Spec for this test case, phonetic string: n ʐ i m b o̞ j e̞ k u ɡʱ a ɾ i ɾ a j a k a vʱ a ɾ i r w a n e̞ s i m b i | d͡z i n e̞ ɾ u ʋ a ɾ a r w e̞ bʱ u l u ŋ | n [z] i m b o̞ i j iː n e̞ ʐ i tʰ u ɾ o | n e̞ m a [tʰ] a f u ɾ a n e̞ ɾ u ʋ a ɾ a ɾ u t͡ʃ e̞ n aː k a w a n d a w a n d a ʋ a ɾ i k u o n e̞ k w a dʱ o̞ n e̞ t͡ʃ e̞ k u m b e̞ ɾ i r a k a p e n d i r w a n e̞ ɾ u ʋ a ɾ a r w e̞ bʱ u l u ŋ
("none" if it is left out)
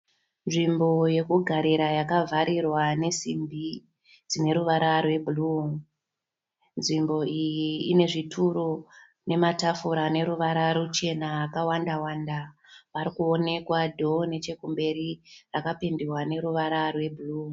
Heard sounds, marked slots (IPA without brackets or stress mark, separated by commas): ʐ, t